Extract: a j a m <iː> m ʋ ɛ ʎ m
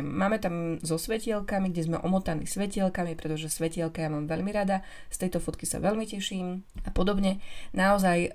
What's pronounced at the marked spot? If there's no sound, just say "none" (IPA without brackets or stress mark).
aː